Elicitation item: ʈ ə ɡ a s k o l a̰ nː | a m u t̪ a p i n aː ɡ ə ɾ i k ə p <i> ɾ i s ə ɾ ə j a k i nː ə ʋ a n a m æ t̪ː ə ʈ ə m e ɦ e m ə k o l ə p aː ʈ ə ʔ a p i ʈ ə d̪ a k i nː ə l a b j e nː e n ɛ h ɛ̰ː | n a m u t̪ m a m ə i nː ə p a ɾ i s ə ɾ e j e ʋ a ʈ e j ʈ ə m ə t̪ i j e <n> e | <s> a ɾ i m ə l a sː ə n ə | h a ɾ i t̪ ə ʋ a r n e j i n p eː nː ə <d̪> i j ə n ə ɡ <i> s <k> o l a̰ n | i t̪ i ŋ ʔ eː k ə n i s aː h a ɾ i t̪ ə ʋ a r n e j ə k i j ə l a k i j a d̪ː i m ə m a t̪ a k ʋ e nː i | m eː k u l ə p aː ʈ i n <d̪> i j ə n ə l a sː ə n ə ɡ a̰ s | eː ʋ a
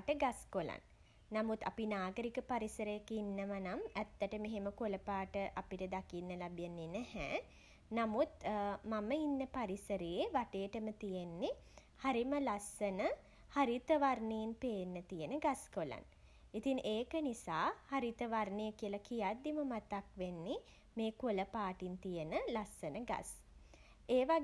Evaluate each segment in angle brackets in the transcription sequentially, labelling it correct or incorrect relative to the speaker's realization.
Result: incorrect: a, incorrect: nː, incorrect: h, incorrect: t̪, incorrect: a, correct, incorrect: t̪

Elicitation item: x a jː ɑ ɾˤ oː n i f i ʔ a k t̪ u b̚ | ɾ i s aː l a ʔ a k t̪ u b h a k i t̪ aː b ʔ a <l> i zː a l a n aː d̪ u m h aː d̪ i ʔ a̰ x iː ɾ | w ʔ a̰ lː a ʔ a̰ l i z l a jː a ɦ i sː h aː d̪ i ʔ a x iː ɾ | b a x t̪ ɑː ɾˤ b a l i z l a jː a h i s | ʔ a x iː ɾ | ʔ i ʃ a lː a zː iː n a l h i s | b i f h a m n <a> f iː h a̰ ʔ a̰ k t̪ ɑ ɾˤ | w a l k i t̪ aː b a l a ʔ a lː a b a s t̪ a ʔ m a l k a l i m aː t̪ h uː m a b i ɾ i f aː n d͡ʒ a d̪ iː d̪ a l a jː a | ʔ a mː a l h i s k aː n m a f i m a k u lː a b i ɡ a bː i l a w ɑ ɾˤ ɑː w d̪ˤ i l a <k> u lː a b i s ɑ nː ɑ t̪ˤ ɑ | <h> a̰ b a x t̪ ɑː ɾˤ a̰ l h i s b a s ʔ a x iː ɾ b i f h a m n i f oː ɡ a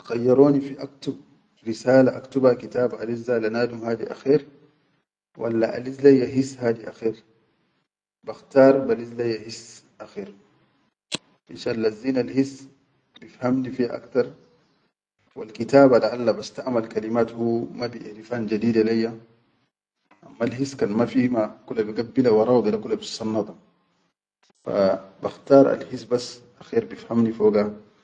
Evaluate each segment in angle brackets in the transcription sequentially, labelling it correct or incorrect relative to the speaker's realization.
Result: correct, incorrect: i, correct, incorrect: f

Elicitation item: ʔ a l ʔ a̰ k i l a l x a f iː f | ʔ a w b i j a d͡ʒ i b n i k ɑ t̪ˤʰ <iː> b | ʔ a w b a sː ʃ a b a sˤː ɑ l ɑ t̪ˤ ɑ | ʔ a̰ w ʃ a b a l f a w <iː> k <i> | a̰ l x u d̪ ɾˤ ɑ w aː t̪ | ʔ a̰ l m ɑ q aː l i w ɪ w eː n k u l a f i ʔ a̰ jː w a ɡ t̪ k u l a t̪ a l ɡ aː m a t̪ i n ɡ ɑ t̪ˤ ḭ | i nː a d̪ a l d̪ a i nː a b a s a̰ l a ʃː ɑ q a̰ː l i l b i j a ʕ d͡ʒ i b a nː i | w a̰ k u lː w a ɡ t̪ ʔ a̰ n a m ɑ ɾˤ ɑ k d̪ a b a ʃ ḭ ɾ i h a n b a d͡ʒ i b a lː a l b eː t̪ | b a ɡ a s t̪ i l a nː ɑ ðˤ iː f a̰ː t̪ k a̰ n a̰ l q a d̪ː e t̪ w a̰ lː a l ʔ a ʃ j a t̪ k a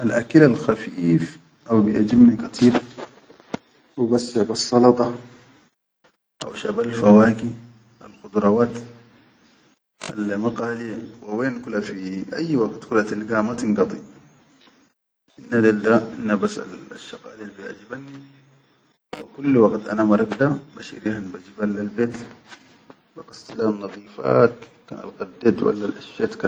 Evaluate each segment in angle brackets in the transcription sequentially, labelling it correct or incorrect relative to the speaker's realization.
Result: correct, incorrect: aː, correct

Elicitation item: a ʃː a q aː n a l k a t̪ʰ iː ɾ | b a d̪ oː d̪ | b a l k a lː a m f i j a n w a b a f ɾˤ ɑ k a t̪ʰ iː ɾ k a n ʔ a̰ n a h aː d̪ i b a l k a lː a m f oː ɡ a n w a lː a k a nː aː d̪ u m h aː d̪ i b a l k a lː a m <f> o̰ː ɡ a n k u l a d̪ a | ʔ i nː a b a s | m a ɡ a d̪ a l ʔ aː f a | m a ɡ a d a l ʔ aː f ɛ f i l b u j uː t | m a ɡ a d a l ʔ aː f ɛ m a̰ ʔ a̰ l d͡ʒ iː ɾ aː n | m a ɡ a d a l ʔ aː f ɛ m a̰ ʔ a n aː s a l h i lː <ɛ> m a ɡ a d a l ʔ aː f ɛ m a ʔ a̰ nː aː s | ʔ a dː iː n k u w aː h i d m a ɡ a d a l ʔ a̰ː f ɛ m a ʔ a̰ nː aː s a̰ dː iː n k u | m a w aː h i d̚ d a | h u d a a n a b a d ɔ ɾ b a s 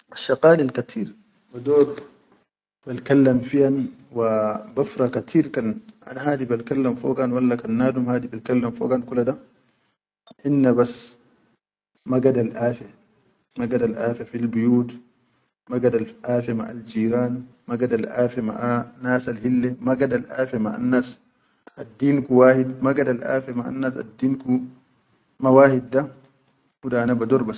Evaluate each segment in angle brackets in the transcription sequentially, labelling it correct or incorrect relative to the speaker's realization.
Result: correct, correct

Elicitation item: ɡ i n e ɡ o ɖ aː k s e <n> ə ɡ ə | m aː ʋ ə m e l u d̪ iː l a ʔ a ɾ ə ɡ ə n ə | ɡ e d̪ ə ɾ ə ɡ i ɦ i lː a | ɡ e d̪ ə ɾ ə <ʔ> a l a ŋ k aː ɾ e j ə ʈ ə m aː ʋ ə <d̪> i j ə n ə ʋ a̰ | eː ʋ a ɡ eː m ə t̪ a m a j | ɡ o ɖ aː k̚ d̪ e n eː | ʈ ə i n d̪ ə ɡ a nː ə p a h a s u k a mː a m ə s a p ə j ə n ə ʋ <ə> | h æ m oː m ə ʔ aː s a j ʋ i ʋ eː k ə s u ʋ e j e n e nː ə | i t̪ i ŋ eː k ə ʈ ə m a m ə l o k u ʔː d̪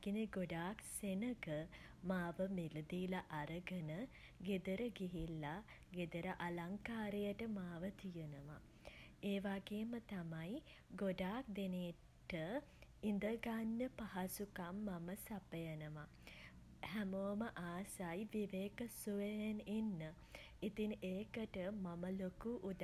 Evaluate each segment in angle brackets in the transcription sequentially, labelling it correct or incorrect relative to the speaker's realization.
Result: correct, correct, incorrect: t̪, incorrect: a

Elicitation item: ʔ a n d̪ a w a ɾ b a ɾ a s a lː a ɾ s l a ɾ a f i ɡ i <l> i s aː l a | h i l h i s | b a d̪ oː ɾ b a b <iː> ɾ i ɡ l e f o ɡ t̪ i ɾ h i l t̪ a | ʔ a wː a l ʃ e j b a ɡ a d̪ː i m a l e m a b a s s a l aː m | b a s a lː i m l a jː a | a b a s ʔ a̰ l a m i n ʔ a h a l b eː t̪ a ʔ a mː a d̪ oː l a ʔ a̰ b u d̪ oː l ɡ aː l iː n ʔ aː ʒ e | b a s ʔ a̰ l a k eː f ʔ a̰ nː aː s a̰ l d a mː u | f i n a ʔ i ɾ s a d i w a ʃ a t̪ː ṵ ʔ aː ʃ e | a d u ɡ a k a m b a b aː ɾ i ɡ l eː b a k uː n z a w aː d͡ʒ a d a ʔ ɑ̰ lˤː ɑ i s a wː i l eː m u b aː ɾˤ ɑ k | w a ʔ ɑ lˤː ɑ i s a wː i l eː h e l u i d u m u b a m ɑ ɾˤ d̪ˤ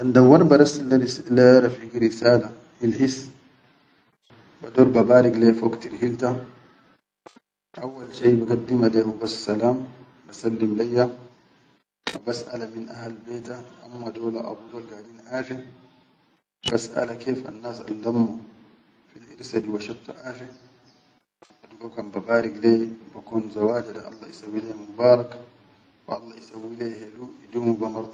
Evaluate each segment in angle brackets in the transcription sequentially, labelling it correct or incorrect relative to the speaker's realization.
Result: incorrect: ɾ, incorrect: aː

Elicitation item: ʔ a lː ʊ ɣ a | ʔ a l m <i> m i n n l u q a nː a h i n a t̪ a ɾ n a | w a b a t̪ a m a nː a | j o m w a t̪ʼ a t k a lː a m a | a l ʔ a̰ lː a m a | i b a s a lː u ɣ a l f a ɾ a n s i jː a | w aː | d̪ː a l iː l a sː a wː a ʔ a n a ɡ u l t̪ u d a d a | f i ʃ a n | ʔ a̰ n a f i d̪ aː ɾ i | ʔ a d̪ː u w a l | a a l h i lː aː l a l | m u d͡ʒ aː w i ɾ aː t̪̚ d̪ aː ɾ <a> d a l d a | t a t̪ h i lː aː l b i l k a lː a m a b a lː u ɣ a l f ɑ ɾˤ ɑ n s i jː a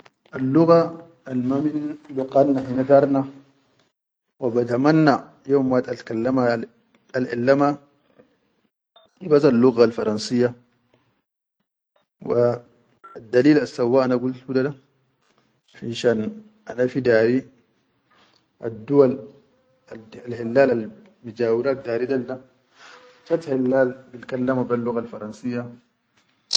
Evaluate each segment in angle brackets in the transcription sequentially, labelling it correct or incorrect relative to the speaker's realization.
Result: incorrect: a, incorrect: i

